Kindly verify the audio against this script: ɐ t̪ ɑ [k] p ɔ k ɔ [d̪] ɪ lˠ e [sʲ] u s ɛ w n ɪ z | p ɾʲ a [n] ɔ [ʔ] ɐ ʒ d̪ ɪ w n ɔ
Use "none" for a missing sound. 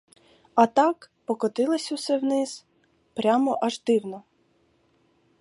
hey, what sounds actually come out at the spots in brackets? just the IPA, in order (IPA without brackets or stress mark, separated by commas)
k, t̪, sʲ, m, ʔ